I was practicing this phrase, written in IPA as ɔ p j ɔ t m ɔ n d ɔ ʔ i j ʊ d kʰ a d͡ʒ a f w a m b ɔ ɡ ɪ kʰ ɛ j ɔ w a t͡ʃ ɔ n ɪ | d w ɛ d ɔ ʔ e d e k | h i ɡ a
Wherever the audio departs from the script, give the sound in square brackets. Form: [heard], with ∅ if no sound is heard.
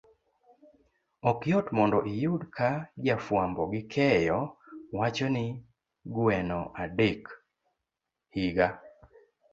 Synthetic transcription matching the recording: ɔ [k] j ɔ t m ɔ n d ɔ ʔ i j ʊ d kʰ a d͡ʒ a f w a m b ɔ ɡ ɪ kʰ ɛ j ɔ w a t͡ʃ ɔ n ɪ | [ɡ] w ɛ [n] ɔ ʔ [a] d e k | h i ɡ a